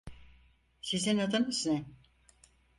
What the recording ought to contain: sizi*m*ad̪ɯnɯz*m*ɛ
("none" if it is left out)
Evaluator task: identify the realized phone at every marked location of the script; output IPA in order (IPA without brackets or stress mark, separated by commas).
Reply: n, n